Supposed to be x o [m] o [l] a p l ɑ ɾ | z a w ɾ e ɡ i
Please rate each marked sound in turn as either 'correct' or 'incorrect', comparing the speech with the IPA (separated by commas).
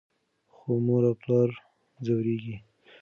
correct, incorrect